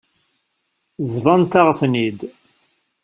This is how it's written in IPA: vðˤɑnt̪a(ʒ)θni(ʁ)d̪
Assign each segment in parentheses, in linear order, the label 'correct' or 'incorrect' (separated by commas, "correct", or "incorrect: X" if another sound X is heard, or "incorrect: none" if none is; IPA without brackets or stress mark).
incorrect: ʁ, incorrect: none